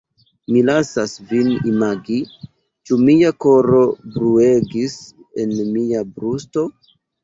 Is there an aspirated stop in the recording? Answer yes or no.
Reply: no